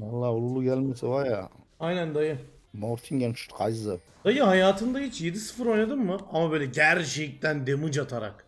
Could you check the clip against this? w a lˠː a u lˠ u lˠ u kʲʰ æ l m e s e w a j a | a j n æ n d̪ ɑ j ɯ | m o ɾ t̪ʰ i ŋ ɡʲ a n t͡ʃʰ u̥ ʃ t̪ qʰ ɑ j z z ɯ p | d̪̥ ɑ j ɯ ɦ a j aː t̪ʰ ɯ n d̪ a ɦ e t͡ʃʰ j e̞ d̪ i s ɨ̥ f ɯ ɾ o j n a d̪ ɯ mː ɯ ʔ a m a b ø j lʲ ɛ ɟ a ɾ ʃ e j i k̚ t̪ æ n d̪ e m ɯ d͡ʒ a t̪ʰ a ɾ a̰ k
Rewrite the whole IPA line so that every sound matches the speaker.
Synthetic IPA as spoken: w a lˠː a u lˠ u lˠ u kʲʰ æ l m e s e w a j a | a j n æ n d̪ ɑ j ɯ | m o ɾ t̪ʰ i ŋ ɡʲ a n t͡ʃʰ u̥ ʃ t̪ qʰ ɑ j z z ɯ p | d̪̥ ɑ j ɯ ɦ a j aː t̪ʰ ɯ n d̪ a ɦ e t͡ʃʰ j e̞ d̪ i s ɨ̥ f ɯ ɾ o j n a d̪ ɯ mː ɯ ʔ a m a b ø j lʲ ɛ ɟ æ ɾ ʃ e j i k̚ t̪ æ n d̪ e m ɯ d͡ʒ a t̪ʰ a ɾ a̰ k